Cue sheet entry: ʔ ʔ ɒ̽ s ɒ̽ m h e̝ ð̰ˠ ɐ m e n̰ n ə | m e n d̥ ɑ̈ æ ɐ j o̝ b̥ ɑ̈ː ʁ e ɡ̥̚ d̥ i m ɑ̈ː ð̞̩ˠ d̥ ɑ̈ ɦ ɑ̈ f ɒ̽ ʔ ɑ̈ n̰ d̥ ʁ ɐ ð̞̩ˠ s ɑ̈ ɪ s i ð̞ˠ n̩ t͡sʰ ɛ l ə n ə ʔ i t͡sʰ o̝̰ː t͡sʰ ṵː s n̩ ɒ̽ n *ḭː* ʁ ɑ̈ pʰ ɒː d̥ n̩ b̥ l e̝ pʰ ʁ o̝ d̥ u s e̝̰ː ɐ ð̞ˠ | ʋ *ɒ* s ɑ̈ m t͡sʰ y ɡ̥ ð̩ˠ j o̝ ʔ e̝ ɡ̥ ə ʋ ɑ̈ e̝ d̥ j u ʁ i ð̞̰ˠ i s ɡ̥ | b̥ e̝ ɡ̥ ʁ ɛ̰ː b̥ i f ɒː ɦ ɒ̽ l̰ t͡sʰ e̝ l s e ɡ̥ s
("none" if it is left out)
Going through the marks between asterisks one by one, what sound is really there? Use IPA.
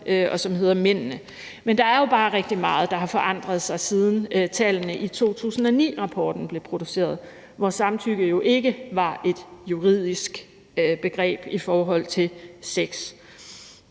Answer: ḭː, ɒ

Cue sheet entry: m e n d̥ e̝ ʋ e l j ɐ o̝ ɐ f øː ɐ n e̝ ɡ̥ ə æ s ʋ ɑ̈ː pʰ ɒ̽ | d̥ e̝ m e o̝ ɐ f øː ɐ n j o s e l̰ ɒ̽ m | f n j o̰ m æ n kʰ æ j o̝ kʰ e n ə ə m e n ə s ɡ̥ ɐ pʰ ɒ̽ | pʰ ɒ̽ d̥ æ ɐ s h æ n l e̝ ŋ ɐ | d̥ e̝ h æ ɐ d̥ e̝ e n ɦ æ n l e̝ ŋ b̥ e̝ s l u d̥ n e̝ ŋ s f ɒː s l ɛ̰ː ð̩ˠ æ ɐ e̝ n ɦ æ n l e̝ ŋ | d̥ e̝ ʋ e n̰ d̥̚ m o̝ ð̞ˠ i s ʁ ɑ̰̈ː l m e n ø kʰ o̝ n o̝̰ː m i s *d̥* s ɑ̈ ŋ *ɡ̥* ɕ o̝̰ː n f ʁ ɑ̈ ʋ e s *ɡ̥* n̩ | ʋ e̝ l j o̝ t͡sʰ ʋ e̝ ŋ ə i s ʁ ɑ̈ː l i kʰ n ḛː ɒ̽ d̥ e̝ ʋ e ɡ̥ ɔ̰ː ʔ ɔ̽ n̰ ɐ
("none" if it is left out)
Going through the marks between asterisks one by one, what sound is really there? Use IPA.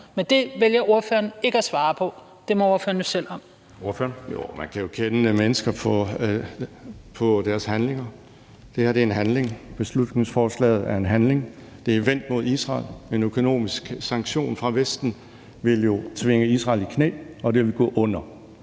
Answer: ɡ̥, ɡ̥, d̥

